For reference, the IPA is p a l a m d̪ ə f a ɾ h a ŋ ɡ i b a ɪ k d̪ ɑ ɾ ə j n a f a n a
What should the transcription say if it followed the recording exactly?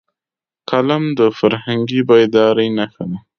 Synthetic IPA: k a l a m d̪ ə f a ɾ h a ŋ ɡ i b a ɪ d̪ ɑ ɾ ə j n a x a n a